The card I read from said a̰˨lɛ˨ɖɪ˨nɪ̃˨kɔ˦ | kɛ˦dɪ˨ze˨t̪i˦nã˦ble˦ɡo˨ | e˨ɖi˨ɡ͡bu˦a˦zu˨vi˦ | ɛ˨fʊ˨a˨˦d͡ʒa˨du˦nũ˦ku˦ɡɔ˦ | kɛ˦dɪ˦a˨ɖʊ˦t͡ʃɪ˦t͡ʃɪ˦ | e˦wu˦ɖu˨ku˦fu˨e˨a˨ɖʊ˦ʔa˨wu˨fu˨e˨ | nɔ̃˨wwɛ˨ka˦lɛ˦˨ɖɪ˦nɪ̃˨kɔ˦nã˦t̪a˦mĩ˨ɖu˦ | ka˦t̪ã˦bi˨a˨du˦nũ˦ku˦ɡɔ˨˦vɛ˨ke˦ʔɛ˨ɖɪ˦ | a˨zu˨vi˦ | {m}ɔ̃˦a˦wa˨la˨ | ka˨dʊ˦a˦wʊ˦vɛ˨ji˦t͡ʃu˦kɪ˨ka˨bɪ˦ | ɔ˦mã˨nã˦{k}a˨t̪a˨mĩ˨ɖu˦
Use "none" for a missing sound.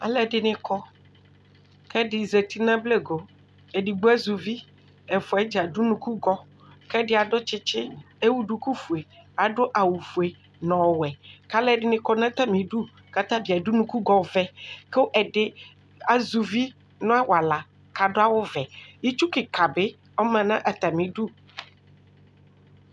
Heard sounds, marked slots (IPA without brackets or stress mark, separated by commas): n, ʔ